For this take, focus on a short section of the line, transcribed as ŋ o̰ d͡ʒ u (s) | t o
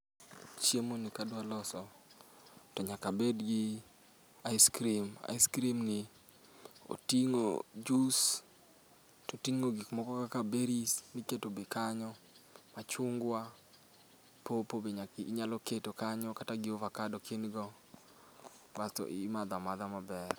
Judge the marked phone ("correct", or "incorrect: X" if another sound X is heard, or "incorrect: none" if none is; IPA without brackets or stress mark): correct